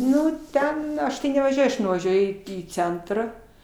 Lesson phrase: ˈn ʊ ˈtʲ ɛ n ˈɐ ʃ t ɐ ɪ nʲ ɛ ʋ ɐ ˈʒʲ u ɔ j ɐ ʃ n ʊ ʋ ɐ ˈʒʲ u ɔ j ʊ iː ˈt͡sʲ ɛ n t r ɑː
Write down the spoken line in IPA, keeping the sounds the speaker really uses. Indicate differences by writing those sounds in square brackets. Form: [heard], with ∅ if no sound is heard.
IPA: ˈn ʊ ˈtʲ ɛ n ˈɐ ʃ t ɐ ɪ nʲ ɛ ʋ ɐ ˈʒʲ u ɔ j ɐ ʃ n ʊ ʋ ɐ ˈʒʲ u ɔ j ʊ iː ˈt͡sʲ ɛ n t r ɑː

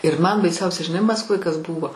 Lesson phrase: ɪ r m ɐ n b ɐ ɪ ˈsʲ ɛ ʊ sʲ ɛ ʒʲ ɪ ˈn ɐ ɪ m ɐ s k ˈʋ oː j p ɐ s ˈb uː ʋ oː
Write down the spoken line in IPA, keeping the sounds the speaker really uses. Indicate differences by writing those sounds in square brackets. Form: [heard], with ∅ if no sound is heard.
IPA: ɪ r m ɐ n b ɐ ɪ ˈsʲ ɛ ʊ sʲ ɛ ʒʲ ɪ ˈn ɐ ɪ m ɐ s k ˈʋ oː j [k] ɐ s ˈb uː ʋ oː

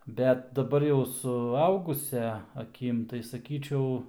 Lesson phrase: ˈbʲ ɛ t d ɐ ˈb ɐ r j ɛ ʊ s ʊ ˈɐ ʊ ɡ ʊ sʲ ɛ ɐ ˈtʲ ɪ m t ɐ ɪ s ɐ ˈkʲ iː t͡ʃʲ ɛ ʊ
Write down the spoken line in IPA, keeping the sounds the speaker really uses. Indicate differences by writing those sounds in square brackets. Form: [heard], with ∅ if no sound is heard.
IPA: ˈbʲ ɛ t d ɐ ˈb ɐ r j ɛ ʊ s ʊ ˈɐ ʊ ɡ ʊ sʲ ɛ ɐ [ˈkʲ] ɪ m t ɐ ɪ s ɐ ˈkʲ iː t͡ʃʲ ɛ ʊ

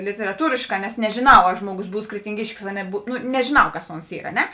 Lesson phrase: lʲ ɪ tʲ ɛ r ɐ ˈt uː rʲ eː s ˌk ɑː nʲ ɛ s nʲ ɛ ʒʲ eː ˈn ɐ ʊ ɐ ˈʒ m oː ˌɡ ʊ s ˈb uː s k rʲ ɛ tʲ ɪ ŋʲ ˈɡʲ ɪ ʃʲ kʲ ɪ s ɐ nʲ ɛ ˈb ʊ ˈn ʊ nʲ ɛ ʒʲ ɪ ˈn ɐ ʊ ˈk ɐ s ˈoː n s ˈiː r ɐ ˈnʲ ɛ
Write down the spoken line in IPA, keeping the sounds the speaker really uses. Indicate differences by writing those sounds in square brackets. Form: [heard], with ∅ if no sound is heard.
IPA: lʲ ɪ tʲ ɛ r ɐ ˈt uː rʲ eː [ʃ] ˌk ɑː nʲ ɛ s nʲ ɛ ʒʲ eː ˈn ɐ ʊ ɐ ˈʒ m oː ˌɡ ʊ s ˈb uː s k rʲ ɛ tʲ ɪ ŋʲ ˈɡʲ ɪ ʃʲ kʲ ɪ s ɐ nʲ ɛ ˈb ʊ ˈn ʊ nʲ ɛ ʒʲ ɪ ˈn ɐ ʊ ˈk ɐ s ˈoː n s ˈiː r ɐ ˈnʲ ɛ

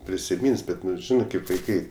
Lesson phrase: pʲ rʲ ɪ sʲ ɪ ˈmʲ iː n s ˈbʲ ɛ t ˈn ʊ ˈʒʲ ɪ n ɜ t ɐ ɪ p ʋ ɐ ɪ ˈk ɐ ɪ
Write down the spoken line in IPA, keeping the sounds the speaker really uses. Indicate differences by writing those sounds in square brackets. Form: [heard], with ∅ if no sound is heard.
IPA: pʲ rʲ ɪ sʲ ɪ ˈmʲ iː n s ˈbʲ ɛ t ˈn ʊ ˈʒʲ ɪ n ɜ [k] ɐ ɪ p ʋ ɐ ɪ ˈk ɐ ɪ

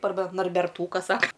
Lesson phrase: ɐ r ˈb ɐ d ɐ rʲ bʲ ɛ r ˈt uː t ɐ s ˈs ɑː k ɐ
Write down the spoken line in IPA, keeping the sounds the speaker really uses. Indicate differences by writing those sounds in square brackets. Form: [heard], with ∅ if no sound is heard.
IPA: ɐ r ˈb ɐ [n] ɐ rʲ bʲ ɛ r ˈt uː [k] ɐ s ˈs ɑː k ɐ

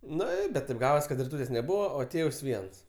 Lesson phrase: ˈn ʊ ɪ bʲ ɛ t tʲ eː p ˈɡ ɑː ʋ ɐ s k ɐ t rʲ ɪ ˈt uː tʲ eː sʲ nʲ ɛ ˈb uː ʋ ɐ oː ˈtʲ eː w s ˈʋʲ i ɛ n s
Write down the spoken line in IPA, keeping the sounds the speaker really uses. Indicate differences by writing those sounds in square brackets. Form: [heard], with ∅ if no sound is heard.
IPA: ˈn ʊ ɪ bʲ ɛ t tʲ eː p ˈɡ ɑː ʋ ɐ s k ɐ t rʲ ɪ ˈt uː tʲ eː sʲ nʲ ɛ ˈb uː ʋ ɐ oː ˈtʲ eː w s ˈʋʲ i ɛ n s

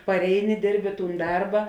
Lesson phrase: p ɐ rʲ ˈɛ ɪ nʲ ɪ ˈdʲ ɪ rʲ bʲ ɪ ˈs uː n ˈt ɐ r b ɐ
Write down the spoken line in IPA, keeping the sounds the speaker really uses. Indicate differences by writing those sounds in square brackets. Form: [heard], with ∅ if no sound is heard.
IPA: p ɐ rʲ ˈɛ ɪ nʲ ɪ ˈdʲ ɪ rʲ bʲ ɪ [ˈt] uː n [ˈd] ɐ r b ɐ

